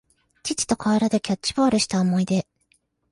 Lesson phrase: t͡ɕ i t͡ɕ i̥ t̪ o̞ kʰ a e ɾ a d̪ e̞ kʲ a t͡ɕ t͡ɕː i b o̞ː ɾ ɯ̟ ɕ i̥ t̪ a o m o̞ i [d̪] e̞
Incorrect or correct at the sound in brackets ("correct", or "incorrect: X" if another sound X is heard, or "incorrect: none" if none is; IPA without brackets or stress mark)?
correct